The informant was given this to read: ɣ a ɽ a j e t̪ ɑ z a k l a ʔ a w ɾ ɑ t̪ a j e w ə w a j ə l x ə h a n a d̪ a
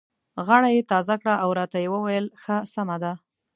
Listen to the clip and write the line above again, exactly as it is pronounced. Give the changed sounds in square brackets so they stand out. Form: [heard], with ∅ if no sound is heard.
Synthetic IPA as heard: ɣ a ɽ a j e t̪ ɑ z a k [ɽ] a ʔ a w ɾ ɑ t̪ a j e w ə w a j ə l x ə [s] a [m] a d̪ a